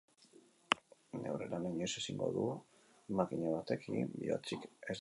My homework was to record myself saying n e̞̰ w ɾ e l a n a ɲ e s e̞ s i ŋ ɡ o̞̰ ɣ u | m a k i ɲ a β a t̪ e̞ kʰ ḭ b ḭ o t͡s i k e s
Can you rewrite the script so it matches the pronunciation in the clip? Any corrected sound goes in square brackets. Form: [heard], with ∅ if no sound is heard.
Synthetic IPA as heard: n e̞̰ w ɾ e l a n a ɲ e s e̞ s i ŋ ɡ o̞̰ [ð] u | m a k i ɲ a β a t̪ e̞ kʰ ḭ b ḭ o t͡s i k e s